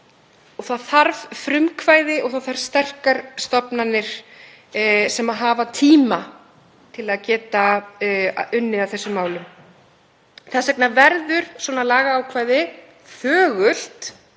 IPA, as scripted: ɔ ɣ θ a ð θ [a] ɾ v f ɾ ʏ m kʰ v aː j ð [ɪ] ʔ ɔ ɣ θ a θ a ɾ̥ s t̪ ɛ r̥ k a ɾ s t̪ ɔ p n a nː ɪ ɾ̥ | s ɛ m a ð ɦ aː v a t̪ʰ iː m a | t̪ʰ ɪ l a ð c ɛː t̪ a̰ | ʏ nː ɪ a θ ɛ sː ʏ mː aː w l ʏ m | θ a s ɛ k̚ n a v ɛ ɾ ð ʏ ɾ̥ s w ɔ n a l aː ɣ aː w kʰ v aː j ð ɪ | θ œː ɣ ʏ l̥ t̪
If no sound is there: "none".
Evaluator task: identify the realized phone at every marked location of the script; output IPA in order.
a, ɪ

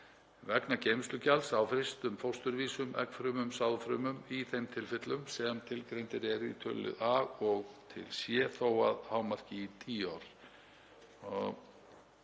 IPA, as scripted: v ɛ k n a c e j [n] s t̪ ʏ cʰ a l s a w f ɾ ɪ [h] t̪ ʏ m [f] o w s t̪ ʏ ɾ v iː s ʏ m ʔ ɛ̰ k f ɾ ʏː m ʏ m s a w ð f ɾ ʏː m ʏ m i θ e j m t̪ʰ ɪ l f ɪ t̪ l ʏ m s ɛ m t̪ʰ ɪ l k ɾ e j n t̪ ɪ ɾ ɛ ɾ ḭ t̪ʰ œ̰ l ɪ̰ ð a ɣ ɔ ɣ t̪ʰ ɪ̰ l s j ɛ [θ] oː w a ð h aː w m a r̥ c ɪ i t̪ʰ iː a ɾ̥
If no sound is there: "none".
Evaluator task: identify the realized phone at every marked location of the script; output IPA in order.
m, s, f, θ

